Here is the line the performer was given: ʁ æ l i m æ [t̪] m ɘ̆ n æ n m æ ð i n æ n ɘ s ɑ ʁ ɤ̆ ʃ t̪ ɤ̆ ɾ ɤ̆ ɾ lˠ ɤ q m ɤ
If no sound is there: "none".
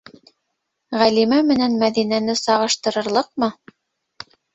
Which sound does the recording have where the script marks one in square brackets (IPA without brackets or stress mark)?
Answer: none